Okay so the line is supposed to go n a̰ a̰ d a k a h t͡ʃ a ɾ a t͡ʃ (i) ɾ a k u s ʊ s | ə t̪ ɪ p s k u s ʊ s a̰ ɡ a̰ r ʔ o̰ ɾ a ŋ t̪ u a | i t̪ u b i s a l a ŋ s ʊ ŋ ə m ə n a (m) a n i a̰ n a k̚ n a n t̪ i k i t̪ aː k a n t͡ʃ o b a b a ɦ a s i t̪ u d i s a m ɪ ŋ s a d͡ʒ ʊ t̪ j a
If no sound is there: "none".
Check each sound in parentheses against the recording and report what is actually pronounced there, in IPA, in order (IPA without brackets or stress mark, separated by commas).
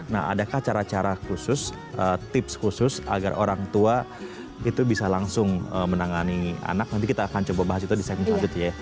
a, ŋ